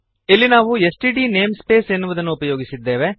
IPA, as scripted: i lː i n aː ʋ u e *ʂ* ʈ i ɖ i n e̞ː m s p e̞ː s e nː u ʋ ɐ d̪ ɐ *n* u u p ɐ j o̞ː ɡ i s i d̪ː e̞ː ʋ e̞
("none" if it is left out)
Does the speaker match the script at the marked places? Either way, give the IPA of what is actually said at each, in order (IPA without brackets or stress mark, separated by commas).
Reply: s, nː